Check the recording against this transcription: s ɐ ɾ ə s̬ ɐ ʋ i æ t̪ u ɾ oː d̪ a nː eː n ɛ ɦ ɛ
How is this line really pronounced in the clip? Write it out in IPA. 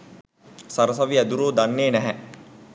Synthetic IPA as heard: s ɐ ɾ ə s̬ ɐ ʋ i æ d̪ u ɾ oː d̪ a nː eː n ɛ ɦ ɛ